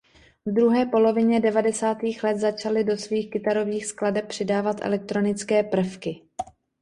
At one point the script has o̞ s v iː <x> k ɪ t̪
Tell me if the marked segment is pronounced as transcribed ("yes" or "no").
yes